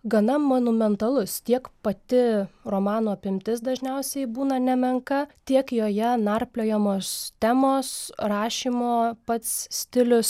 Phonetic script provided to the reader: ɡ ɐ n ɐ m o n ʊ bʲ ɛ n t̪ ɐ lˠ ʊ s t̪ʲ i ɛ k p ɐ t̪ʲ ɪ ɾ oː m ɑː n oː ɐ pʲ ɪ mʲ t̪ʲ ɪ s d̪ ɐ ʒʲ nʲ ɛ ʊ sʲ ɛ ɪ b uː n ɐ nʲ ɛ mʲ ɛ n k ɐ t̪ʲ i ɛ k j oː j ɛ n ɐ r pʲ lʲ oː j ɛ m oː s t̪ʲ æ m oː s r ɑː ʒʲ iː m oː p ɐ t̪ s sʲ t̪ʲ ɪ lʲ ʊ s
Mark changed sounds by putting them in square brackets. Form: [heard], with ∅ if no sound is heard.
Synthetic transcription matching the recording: ɡ ɐ n ɐ m o n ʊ [mʲ] ɛ n t̪ ɐ lˠ ʊ s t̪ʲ i ɛ k p ɐ t̪ʲ ɪ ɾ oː m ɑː n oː ɐ pʲ ɪ mʲ t̪ʲ ɪ s d̪ ɐ ʒʲ nʲ ɛ ʊ sʲ ɛ ɪ b uː n ɐ nʲ ɛ mʲ ɛ [ŋ] k ɐ t̪ʲ i ɛ k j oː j ɛ n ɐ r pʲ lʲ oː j ɛ m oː s t̪ʲ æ m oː s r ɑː [ʃʲ] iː m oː p ɐ t̪ s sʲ t̪ʲ ɪ lʲ ʊ s